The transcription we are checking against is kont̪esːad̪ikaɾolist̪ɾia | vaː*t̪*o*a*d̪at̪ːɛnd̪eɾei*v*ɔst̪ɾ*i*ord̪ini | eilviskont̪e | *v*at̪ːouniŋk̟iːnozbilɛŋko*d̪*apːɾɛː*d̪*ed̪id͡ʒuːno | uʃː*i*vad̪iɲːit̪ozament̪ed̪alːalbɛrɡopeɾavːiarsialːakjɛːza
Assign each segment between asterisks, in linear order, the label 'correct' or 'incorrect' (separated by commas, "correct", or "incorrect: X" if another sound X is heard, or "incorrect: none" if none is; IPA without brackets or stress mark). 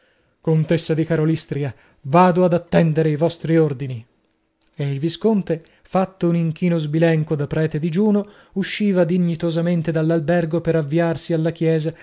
incorrect: d̪, correct, correct, correct, incorrect: f, correct, incorrect: t̪, incorrect: iː